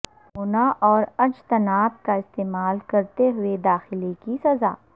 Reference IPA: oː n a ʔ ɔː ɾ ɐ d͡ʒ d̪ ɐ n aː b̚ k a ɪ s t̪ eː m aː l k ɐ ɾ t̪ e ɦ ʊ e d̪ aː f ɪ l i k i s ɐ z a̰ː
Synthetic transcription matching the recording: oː n a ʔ ɔː ɾ ɐ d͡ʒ t̪ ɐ n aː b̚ k a ɪ s t̪ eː m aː l k ɐ ɾ t̪ e ɦ ʊ e d̪ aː x ɪ l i k i s ɐ z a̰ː